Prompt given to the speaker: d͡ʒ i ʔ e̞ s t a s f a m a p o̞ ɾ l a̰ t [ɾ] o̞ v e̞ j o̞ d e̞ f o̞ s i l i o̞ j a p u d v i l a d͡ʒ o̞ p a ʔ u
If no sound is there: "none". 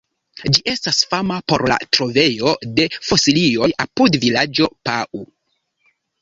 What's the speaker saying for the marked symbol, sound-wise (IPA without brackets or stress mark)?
ɾ